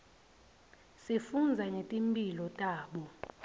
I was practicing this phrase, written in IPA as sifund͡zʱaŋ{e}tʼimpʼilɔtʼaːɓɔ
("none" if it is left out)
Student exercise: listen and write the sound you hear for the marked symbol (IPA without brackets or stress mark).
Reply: e